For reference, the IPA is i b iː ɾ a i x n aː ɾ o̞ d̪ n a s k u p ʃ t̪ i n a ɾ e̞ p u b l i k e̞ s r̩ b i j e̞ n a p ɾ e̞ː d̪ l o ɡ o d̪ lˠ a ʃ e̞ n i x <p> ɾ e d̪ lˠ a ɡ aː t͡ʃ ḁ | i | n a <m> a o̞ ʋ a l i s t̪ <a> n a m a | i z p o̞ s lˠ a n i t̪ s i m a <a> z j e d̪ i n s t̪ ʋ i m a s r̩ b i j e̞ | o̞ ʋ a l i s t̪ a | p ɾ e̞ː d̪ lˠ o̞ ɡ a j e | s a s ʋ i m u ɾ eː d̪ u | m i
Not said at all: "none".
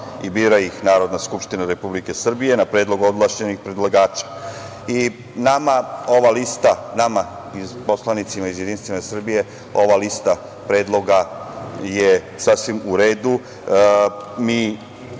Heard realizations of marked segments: p, m, a, i

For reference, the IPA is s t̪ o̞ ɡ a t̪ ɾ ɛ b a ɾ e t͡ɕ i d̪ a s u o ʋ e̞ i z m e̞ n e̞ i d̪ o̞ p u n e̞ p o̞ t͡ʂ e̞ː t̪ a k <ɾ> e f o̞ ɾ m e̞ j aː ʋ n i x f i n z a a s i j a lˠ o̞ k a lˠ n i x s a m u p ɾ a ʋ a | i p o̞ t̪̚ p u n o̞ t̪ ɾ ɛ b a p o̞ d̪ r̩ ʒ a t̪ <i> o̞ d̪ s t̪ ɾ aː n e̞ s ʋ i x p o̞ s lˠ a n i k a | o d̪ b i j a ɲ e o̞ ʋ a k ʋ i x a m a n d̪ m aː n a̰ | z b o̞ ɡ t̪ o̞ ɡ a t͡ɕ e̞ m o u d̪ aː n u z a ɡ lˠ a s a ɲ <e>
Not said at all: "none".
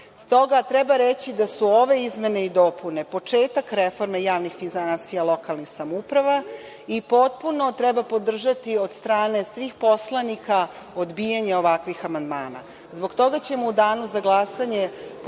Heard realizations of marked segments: ɾ, i, e

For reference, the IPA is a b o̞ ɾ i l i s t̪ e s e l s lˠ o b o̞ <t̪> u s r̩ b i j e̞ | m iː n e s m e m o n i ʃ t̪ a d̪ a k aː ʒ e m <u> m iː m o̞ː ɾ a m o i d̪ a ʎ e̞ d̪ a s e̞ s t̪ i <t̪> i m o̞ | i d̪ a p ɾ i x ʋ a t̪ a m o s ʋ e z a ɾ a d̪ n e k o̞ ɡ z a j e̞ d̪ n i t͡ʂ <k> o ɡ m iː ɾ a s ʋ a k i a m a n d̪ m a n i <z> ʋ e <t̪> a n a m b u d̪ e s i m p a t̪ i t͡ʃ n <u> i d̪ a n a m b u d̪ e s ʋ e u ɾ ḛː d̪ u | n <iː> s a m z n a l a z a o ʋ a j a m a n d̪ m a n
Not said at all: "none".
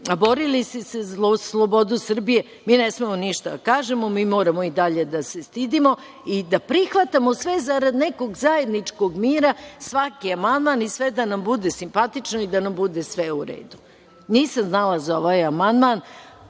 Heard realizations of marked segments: d̪, o, d̪, k, s, d̪, o, iː

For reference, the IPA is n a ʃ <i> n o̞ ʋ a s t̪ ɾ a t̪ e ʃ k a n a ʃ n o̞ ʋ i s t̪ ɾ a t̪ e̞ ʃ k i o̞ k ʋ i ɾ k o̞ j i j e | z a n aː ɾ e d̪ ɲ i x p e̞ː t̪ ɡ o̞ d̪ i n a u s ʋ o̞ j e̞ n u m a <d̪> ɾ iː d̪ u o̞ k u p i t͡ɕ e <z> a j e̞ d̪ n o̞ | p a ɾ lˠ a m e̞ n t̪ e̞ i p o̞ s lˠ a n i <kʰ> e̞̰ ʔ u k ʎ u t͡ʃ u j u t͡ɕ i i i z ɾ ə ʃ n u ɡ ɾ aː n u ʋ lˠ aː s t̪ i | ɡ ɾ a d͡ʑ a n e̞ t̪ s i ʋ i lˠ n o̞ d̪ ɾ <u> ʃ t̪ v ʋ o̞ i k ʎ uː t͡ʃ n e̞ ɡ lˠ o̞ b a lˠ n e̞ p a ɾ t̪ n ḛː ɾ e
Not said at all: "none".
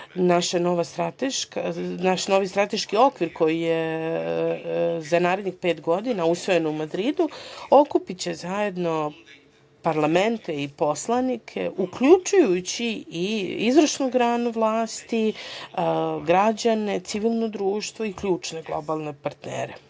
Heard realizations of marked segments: a, d̪, z, kʰ, uː

